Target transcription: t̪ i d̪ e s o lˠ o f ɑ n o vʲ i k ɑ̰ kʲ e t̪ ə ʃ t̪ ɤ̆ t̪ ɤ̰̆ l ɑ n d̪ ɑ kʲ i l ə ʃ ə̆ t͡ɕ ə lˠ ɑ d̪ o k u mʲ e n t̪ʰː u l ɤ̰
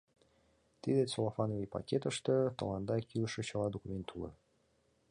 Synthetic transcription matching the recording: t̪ i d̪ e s o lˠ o f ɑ n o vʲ i p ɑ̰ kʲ e t̪ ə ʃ t̪ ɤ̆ t̪ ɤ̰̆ l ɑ n d̪ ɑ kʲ i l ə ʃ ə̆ t͡ɕ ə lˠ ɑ d̪ o k u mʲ e n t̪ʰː u l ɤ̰

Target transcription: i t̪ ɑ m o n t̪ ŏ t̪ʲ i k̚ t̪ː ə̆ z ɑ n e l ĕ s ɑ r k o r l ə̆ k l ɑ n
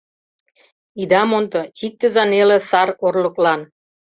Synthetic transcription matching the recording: i d̪ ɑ m o n t̪ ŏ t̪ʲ i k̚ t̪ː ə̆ z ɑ n e l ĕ s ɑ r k o r l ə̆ k l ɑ n

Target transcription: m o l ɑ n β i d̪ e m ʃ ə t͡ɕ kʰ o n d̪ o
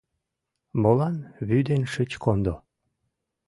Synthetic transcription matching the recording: m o l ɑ n β y d̪ e n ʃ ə t͡ɕ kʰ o n d̪ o

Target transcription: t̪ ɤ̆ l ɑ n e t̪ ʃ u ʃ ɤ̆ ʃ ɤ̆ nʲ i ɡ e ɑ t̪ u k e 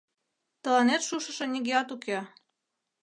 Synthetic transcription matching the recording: t̪ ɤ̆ l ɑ n e t̪ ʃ u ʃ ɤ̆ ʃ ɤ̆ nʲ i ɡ e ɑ t̪ u k e

